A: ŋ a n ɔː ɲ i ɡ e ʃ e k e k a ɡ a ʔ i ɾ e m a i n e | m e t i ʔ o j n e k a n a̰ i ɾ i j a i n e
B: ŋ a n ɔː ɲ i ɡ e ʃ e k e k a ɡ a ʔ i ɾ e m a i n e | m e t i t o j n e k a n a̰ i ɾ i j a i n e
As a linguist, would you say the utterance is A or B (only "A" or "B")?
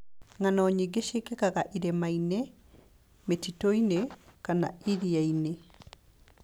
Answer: B